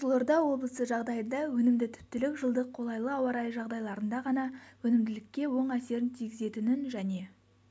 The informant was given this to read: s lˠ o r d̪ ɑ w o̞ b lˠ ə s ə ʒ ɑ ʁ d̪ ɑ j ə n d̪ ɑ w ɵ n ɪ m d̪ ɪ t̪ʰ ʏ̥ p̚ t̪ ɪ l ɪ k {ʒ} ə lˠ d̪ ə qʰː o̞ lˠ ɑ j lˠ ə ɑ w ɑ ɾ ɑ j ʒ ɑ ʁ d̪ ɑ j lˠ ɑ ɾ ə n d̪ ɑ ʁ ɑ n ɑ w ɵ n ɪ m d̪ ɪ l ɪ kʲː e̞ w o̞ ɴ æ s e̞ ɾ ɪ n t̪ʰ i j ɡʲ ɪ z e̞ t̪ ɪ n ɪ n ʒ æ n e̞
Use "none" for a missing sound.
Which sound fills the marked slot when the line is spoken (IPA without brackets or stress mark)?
ʒ